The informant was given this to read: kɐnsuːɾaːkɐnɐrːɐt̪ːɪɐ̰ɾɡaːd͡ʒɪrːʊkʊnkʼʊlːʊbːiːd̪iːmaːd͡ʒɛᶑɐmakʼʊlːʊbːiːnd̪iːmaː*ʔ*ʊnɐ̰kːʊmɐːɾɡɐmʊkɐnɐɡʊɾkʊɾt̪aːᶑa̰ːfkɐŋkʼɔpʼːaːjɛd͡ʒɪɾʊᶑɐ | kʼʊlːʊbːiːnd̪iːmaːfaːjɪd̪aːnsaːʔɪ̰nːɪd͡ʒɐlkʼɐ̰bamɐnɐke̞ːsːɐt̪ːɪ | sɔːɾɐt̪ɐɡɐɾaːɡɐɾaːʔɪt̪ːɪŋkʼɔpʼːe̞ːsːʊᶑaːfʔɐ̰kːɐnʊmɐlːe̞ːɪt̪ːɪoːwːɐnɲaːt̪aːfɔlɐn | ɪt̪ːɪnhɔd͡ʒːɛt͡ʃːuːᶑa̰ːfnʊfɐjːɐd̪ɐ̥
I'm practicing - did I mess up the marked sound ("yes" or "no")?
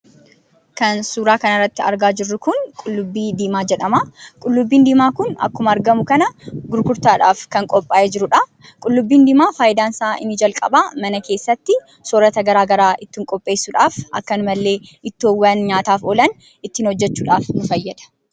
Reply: yes